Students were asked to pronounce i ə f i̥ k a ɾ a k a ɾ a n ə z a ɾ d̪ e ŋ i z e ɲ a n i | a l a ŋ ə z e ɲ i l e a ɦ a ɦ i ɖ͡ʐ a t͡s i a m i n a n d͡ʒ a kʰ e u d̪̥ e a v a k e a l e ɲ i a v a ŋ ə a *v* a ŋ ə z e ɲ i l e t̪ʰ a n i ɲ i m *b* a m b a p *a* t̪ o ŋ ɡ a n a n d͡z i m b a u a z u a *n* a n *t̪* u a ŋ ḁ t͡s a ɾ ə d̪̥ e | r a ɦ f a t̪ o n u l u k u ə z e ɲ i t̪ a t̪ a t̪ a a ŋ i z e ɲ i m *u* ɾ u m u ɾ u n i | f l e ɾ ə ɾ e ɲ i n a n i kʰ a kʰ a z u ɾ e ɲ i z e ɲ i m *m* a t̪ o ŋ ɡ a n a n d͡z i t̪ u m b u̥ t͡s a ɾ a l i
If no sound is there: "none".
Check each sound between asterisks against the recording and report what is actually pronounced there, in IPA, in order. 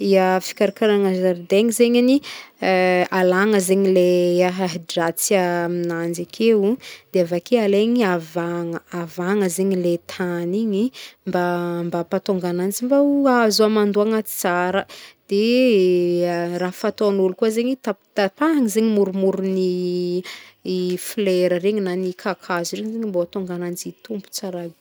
v, b, a, m, d̪, u, b

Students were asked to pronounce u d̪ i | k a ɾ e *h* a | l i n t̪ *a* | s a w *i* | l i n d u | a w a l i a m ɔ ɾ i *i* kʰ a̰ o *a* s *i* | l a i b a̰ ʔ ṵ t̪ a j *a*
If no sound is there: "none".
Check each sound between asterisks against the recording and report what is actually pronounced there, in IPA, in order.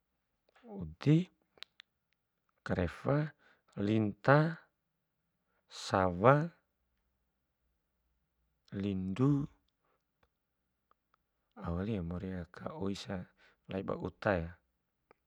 f, a, a, a, i, a, a

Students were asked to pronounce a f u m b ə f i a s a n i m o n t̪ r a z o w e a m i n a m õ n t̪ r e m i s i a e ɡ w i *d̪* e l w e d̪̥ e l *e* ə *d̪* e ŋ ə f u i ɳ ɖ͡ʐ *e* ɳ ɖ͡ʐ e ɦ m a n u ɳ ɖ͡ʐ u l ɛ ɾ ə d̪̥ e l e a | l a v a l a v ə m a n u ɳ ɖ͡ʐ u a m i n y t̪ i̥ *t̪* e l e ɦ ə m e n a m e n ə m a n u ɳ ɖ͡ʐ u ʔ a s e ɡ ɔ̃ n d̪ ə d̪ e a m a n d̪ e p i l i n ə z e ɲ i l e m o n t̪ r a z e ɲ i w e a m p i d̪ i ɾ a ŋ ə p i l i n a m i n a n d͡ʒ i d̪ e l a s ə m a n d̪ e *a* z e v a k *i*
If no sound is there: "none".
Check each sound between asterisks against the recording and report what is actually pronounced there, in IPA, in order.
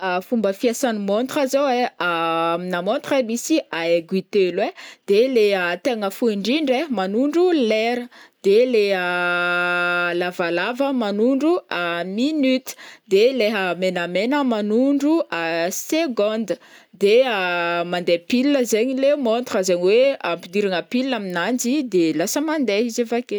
t̪, e, t̪, i, d̪, i, e

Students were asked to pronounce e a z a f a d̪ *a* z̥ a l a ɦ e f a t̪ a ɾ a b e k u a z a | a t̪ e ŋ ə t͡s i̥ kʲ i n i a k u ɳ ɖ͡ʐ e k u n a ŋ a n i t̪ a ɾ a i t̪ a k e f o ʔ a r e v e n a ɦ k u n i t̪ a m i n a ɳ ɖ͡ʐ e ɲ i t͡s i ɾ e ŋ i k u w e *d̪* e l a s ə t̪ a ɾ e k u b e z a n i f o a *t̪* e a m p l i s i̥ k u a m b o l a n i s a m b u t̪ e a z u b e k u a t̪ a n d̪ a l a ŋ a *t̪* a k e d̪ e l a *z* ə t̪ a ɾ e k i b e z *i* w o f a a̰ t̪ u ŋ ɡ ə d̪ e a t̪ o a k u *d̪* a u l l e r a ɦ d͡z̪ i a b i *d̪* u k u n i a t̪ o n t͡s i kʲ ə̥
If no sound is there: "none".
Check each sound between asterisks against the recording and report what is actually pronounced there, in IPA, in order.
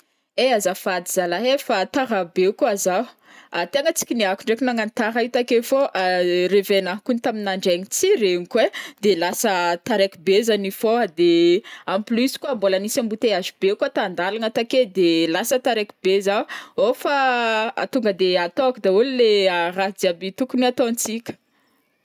i, d̪, d̪, t̪, s, a, d̪, t̪

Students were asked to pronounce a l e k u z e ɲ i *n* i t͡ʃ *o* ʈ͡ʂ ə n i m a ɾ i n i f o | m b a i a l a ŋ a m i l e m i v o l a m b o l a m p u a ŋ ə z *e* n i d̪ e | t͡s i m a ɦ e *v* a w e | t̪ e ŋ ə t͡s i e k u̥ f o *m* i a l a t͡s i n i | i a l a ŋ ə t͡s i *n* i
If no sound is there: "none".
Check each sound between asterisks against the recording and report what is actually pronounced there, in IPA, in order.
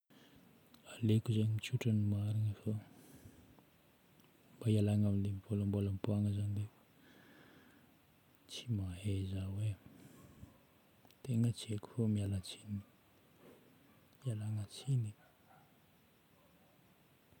m, u, a, z, m, n

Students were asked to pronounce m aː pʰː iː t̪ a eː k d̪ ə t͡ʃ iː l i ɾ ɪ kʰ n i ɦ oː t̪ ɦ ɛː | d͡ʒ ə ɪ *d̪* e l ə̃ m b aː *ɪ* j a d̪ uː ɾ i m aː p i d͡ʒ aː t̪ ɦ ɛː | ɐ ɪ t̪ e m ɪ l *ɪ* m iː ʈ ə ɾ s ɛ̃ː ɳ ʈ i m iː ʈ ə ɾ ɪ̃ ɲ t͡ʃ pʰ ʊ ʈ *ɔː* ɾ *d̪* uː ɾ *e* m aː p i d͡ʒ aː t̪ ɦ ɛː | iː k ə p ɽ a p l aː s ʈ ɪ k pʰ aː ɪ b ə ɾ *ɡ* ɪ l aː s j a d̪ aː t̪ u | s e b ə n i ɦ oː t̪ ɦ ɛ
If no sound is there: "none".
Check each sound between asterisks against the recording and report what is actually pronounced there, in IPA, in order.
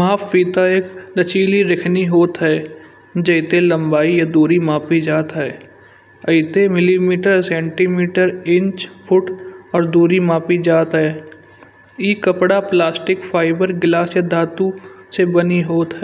t̪, i, i, ɔː, d̪, i, ɡ

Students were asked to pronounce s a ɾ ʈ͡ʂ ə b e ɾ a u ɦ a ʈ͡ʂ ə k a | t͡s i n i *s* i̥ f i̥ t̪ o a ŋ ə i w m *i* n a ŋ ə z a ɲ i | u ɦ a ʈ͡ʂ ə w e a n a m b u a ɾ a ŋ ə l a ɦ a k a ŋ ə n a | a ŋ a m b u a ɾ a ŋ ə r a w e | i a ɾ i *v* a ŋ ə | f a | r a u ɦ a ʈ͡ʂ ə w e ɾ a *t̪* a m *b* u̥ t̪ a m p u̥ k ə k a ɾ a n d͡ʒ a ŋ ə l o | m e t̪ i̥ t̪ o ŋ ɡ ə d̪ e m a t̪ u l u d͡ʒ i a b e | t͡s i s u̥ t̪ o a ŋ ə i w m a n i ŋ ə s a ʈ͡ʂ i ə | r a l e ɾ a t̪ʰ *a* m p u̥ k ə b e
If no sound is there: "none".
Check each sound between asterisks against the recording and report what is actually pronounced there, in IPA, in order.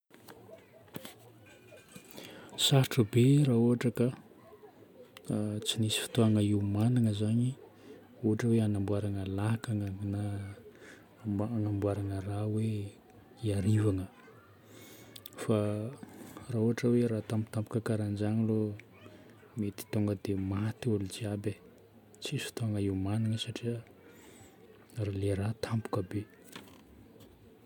s, a, v, t̪, p, a

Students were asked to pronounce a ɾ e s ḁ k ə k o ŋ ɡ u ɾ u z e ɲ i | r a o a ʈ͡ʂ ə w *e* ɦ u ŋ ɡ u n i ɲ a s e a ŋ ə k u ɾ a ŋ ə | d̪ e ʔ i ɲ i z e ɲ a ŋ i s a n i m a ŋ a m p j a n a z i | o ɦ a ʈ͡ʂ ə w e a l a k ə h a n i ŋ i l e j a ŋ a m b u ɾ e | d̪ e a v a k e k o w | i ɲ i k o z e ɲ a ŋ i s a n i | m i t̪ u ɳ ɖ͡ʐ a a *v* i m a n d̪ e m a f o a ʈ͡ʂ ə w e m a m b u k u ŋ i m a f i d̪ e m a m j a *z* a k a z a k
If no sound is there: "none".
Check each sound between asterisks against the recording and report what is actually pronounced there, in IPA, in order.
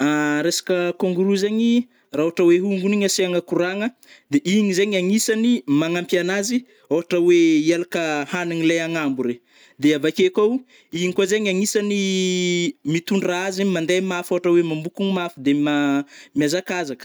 e, z, z

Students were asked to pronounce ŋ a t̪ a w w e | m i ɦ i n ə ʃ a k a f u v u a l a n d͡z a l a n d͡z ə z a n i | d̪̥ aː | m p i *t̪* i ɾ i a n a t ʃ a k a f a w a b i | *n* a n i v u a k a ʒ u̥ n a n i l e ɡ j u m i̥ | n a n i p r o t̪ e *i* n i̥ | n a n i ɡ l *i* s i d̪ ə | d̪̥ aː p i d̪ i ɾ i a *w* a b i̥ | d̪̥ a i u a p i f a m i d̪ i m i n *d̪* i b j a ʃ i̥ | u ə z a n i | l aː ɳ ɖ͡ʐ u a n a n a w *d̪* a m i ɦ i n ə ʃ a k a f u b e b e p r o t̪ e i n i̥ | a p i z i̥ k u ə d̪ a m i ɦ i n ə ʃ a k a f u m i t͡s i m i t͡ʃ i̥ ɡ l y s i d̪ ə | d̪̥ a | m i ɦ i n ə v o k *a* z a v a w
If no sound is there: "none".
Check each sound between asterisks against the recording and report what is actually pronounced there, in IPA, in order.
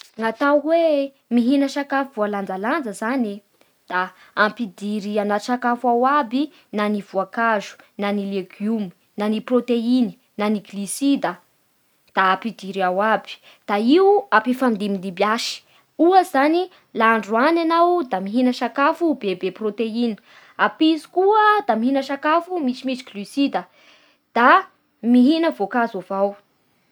d̪, n, i, i, w, d̪, d̪, a

